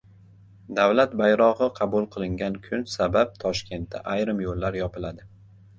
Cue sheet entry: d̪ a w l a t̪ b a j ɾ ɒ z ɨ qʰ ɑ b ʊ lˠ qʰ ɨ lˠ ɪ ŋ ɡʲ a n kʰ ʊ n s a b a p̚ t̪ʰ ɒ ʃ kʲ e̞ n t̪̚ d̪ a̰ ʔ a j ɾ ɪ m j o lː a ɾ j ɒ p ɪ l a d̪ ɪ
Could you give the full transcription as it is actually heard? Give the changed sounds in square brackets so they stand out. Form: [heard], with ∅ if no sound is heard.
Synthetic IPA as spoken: d̪ a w l a t̪ b a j ɾ ɒ [ʁ] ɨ qʰ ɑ b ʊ lˠ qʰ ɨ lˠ ɪ ŋ ɡʲ a n kʰ ʊ n s a b a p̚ t̪ʰ ɒ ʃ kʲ e̞ n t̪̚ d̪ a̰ ʔ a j ɾ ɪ m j o lː a ɾ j ɒ p ɪ l a d̪ ɪ